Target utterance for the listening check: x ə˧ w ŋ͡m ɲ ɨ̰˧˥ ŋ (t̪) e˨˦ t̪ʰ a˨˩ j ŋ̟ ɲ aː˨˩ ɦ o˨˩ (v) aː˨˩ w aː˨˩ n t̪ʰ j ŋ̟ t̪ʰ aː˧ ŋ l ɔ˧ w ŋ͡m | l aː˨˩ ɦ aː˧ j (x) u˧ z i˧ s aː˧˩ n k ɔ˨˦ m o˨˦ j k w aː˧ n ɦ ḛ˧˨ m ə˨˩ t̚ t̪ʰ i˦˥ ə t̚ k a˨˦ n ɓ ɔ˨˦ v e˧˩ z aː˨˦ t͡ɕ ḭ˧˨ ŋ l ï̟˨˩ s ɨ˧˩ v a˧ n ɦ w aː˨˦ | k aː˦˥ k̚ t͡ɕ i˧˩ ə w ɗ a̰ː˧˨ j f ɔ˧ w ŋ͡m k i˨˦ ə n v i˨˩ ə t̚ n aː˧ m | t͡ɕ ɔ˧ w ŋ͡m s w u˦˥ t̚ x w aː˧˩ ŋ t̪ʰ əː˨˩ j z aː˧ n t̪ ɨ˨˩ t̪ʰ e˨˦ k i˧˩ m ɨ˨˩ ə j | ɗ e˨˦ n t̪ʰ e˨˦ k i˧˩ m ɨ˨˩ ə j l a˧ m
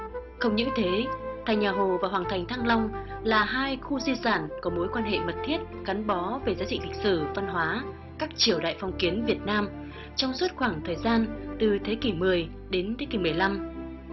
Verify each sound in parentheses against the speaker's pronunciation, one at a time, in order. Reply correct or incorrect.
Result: incorrect: t̪ʰ, correct, correct

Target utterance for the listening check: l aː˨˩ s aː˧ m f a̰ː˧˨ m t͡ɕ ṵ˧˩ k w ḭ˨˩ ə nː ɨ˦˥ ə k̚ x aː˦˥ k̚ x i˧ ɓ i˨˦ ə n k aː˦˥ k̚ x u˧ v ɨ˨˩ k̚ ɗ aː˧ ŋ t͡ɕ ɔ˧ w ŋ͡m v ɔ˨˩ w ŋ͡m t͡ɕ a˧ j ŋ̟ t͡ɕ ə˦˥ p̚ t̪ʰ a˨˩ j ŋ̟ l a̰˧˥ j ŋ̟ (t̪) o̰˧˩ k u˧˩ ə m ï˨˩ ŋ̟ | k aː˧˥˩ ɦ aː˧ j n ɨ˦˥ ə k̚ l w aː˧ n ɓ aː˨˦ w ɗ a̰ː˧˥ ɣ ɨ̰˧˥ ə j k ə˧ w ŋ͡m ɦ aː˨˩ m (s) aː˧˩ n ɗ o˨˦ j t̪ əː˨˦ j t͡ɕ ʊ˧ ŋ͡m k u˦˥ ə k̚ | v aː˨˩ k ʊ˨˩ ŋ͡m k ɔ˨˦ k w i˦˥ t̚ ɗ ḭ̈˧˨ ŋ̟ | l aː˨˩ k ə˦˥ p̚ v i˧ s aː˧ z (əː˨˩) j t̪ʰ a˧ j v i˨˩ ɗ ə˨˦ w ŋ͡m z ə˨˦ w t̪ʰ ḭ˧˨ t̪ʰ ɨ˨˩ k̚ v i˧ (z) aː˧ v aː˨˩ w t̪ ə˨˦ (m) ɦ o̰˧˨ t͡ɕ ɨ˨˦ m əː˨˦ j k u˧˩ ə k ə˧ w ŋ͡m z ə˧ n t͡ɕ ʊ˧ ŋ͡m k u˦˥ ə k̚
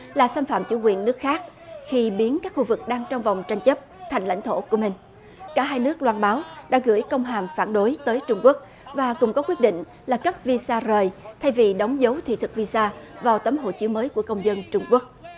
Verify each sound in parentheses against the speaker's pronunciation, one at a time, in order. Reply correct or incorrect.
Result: incorrect: t̪ʰ, incorrect: f, correct, incorrect: s, correct

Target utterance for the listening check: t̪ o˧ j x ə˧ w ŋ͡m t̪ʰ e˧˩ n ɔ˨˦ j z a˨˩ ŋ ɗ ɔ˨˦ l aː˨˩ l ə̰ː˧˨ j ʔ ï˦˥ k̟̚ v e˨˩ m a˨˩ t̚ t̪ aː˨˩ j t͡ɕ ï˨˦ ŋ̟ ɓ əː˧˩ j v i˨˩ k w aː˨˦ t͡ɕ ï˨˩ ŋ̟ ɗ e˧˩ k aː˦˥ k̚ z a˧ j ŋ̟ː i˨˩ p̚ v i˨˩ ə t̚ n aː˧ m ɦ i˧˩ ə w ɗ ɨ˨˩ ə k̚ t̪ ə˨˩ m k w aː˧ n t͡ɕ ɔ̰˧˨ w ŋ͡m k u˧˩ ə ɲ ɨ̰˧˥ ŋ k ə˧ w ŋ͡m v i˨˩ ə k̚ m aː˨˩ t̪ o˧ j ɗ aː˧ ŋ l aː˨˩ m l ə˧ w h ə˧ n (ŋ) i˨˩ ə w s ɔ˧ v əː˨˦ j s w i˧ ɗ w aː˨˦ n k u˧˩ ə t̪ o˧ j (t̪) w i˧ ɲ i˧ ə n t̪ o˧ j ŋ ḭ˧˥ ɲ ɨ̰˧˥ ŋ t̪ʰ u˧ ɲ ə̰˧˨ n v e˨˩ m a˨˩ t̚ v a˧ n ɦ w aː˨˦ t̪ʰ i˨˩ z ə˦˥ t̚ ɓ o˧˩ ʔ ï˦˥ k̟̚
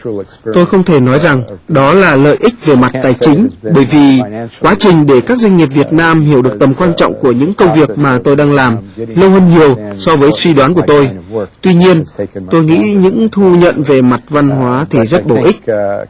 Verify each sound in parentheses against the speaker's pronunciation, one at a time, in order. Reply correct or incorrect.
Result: incorrect: ɲ, correct

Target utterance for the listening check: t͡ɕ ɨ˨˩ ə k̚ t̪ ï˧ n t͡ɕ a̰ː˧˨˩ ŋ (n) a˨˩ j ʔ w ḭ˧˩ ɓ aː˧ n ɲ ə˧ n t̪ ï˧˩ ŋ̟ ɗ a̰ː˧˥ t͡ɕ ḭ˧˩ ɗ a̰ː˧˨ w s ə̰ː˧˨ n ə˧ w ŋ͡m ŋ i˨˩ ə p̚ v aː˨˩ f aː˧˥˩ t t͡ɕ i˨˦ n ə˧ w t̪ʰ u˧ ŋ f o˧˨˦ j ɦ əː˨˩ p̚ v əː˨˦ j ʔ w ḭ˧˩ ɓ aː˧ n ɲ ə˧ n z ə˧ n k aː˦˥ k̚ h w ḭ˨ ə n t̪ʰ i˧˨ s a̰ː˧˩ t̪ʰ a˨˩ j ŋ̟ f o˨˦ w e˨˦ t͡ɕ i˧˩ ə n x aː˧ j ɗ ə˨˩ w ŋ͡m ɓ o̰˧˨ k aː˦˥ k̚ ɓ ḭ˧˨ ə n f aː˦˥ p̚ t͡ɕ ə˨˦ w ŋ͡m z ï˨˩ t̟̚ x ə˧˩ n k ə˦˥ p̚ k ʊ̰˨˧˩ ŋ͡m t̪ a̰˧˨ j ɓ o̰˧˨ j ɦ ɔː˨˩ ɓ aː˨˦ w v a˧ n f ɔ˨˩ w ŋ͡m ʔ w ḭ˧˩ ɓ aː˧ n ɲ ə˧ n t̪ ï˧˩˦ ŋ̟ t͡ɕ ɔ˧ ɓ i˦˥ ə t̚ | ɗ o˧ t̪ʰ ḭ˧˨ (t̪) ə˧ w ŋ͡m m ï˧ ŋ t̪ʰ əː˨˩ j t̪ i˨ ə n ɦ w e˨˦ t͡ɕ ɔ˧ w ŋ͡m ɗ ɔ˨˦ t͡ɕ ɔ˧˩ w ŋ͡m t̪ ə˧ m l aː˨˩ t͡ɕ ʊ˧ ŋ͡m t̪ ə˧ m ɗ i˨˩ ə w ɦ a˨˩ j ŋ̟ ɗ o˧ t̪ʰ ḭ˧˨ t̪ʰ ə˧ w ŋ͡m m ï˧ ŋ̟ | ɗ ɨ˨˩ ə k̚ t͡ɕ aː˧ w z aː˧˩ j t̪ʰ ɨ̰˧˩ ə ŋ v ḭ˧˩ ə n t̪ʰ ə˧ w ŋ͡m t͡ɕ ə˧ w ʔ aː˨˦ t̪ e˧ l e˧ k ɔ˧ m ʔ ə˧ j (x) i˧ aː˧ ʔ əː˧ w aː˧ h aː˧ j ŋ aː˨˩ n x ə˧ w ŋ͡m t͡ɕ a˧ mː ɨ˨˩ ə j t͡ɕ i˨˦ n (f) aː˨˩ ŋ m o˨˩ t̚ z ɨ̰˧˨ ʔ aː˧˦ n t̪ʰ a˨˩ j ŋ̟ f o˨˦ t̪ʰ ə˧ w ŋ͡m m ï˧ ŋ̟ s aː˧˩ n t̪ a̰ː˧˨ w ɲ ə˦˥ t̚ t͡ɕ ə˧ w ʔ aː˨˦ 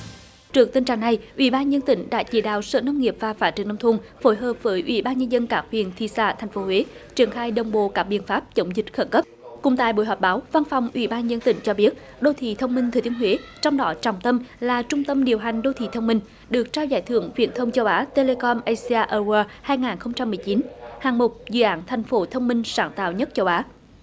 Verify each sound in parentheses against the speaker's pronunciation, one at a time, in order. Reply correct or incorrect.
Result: correct, incorrect: t̪ʰ, incorrect: s, incorrect: h

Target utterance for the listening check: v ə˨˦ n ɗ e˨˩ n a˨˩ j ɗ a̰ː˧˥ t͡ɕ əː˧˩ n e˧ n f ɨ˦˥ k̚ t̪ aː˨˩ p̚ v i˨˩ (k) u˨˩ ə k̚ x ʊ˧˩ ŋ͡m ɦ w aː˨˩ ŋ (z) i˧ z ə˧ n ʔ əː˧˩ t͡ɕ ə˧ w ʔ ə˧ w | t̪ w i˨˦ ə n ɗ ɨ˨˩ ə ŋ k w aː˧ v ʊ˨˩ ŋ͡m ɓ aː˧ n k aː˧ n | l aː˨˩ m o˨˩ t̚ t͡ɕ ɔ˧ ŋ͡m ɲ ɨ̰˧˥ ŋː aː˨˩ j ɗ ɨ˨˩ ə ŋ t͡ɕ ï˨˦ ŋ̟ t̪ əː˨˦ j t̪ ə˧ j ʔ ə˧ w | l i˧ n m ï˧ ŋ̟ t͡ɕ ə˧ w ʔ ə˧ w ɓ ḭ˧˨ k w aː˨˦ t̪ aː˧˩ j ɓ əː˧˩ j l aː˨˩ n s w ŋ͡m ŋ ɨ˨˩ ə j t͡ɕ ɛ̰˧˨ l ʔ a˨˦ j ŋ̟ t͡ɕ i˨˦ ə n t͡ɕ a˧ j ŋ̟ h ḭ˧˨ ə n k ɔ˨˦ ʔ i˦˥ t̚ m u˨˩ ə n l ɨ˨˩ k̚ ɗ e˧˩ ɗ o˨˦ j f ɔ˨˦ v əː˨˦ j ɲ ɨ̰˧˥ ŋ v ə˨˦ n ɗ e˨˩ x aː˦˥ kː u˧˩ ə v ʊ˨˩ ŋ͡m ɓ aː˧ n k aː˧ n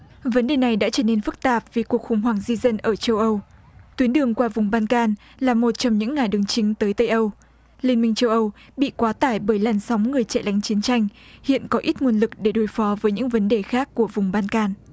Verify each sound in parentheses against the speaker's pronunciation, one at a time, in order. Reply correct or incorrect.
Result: correct, correct

